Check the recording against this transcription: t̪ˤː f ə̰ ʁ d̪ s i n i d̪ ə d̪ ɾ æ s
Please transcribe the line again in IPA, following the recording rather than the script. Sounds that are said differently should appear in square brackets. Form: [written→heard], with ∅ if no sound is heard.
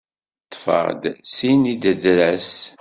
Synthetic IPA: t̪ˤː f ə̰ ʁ d̪ s i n i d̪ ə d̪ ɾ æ s